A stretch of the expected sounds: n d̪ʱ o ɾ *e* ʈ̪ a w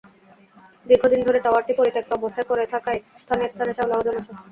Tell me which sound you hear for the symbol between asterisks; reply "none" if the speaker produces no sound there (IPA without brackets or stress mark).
e